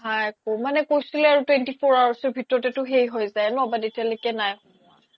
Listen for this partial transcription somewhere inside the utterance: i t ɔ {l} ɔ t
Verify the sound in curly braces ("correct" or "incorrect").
incorrect